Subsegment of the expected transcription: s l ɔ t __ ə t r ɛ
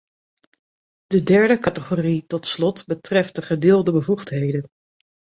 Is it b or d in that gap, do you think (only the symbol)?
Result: b